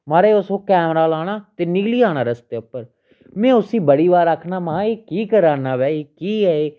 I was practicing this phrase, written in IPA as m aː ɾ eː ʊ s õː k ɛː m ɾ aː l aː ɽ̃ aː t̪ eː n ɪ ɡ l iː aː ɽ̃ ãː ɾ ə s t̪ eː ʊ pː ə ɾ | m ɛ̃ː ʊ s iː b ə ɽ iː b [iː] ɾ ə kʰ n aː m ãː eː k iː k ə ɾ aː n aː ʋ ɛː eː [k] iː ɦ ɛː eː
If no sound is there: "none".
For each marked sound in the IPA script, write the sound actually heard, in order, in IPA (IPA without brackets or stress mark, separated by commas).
aː, k